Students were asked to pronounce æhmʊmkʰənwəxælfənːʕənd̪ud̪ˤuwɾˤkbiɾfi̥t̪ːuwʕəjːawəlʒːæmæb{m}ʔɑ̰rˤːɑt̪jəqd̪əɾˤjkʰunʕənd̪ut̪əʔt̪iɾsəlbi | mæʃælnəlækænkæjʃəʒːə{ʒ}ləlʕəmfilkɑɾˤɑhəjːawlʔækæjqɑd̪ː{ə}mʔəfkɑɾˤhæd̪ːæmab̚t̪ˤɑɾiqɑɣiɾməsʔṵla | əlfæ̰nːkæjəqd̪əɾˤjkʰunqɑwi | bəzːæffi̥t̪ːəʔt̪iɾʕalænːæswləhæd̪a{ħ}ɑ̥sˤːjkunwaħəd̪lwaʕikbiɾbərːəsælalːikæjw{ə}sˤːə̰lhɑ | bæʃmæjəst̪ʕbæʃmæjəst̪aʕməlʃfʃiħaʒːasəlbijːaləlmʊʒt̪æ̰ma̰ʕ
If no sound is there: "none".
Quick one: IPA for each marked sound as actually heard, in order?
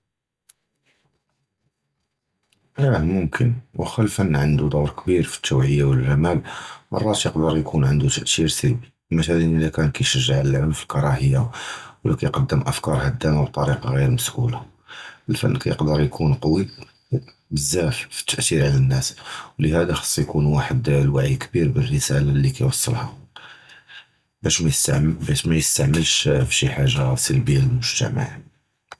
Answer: m, ʕ, ə, x, ɑ

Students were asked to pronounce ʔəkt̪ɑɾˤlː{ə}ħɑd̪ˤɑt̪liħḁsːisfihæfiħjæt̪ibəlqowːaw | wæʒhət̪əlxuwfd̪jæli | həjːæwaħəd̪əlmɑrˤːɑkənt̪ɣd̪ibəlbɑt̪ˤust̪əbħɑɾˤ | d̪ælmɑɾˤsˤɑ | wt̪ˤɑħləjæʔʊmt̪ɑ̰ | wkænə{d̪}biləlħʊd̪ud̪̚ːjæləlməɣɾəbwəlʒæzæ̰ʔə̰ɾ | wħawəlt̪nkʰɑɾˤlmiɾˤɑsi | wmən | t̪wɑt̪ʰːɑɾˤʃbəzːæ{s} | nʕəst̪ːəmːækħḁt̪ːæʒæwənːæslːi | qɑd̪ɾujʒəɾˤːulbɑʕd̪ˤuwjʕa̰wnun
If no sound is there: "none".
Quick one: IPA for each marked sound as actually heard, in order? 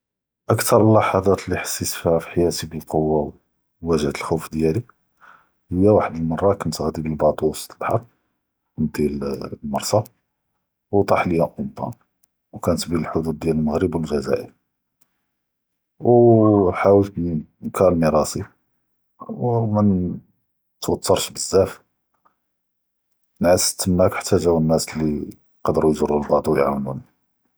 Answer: ɑ, t̪, f

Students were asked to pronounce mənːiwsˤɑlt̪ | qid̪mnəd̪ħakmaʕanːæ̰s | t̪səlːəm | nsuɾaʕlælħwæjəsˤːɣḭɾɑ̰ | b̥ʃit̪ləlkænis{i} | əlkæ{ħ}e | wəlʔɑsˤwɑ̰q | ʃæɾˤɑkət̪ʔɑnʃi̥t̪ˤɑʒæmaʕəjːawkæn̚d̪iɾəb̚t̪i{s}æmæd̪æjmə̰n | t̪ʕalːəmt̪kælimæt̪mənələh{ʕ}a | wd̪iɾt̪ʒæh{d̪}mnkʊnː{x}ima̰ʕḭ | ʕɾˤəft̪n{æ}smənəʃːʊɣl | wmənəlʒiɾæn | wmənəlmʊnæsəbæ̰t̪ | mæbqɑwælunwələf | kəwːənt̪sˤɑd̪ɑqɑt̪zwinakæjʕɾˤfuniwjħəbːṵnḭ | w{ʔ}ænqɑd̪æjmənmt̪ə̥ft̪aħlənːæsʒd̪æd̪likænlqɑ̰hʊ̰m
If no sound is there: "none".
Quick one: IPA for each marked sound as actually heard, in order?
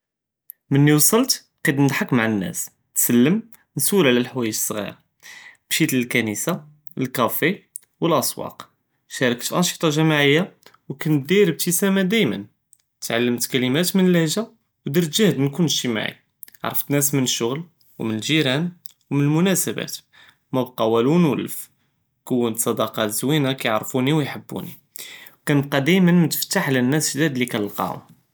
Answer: a, f, s, ʒ, d̪, ʃ, æ, k

